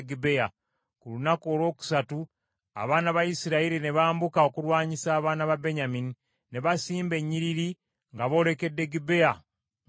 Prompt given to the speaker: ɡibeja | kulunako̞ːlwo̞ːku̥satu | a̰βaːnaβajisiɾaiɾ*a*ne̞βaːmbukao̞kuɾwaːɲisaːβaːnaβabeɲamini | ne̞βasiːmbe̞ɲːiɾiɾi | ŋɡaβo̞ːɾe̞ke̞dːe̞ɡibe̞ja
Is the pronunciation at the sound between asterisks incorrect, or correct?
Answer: incorrect